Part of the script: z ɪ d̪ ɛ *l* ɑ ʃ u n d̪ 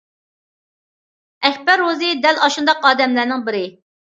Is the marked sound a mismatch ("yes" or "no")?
no